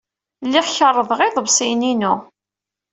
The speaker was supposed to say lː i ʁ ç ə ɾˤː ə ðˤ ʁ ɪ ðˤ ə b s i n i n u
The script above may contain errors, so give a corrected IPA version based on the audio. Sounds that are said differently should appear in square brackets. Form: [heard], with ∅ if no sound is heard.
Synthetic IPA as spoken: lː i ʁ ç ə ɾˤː ə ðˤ ʁ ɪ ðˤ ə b s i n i n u